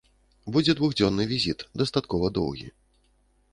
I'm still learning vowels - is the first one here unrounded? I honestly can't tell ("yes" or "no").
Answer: no